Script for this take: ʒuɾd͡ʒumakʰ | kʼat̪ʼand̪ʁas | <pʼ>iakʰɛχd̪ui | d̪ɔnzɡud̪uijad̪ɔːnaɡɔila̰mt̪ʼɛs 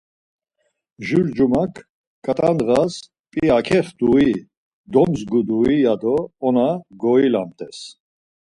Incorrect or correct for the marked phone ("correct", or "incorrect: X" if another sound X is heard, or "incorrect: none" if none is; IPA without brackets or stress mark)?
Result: correct